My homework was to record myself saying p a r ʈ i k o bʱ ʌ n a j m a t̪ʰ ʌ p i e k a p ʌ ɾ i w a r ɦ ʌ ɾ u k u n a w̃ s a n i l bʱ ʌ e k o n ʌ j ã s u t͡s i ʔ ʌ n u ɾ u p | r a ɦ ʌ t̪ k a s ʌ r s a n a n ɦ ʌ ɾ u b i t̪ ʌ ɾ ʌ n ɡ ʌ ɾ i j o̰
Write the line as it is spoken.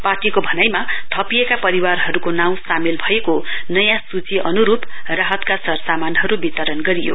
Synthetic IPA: p a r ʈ i k o bʱ ʌ n a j m a t̪ʰ ʌ p i e k a p ʌ ɾ i w a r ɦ ʌ ɾ u k o n a w̃ s a m i l bʱ ʌ e k o n ʌ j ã s u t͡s i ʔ ʌ n u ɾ u p | r a ɦ ʌ t̪ k a s ʌ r s a m a n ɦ ʌ ɾ u b i t̪ ʌ ɾ ʌ n ɡ ʌ ɾ i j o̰